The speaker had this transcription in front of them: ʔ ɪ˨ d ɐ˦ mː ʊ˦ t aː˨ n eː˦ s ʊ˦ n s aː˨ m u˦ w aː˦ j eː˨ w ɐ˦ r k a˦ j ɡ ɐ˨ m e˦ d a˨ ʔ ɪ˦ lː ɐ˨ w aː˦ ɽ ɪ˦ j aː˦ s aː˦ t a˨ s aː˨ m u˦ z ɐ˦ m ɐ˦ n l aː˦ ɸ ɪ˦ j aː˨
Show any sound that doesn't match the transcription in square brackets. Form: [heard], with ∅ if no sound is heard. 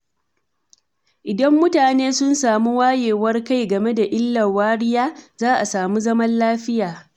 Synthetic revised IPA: ʔ ɪ˨ d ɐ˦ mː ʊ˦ t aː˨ n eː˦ s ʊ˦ n s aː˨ m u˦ w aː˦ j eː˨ w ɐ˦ r k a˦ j ɡ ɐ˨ m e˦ d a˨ ʔ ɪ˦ lː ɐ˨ w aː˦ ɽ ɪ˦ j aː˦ [z] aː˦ [ʔ] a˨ s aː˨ m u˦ z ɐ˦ m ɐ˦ n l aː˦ ɸ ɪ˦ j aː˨